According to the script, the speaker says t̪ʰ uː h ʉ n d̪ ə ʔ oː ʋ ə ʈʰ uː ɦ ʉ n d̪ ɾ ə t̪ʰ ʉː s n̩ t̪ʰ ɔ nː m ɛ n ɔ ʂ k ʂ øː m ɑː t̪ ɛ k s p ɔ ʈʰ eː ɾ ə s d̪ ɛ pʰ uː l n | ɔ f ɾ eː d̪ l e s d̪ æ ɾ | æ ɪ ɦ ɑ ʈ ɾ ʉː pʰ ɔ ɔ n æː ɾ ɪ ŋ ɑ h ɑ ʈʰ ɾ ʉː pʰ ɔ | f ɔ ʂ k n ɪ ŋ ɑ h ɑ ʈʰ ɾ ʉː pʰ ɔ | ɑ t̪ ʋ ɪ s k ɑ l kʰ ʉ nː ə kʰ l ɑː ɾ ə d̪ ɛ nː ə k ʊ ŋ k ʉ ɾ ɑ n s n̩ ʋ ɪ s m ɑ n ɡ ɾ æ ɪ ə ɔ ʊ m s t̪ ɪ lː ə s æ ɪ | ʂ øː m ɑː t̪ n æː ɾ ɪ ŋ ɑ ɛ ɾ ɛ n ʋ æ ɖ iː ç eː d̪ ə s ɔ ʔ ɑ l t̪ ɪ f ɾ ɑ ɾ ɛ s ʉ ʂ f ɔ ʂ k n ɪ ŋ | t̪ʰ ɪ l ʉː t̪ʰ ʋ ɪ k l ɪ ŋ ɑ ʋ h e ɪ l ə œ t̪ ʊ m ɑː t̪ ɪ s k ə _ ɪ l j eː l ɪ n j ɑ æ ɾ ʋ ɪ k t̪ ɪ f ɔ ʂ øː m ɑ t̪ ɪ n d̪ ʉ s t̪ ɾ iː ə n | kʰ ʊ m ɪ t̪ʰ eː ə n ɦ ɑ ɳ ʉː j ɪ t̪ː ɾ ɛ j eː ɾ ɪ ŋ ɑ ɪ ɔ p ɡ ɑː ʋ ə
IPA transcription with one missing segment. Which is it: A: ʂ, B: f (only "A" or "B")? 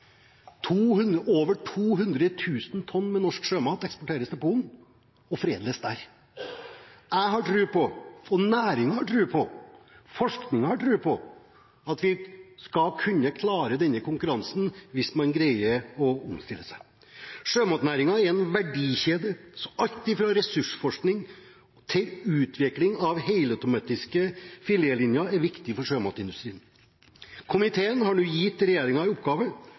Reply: B